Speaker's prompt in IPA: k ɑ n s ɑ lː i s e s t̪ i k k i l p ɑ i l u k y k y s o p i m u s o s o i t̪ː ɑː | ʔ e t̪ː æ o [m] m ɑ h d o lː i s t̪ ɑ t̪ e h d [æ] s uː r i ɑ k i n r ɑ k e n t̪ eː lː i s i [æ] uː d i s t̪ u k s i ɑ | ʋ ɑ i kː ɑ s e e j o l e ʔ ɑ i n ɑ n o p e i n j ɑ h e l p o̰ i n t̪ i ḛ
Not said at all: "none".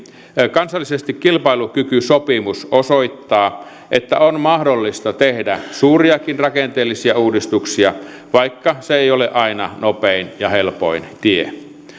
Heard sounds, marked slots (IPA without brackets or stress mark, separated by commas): n, æ, æ